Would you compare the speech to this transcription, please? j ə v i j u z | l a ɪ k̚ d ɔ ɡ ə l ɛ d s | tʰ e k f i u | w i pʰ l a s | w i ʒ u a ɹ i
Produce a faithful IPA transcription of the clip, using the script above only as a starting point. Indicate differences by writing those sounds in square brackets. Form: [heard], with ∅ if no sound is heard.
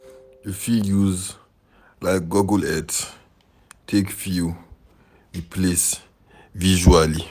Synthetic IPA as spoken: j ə [f] i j u z | l a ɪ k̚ [ɡ] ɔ ɡ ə l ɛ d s | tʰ e k f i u | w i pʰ l [e] s | [v] i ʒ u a [l] i